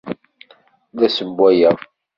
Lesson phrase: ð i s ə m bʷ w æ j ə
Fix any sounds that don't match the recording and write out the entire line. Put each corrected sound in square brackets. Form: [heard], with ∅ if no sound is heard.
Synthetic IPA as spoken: ð [æ] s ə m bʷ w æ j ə